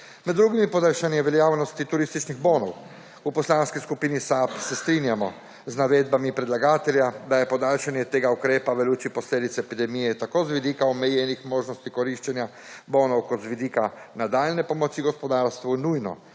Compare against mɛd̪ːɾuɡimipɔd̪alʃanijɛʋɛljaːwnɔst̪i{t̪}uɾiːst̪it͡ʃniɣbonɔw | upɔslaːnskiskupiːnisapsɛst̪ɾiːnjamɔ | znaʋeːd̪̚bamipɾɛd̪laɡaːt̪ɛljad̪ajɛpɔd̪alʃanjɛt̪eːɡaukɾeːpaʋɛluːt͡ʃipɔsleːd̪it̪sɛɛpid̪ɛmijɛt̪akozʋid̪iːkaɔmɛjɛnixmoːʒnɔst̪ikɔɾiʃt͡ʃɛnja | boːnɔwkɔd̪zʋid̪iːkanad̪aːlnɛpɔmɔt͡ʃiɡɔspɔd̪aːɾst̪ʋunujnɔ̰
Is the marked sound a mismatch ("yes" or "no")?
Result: no